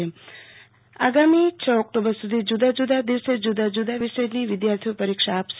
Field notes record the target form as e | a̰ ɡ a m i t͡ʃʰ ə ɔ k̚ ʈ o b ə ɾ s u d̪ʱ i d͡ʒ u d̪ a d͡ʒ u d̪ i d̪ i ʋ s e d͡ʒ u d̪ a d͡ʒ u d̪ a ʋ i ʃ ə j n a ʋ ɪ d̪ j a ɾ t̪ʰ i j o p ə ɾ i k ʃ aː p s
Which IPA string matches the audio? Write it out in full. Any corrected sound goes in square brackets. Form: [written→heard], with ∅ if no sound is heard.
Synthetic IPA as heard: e | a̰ ɡ a m i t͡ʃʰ ə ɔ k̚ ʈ o b ə ɾ s u d̪ʱ i d͡ʒ u d̪ a d͡ʒ u d̪ [i→a] d̪ i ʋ s e d͡ʒ u d̪ a d͡ʒ u d̪ a ʋ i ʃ ə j n [a→i] ʋ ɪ d̪ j a ɾ t̪ʰ i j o p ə ɾ i k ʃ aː p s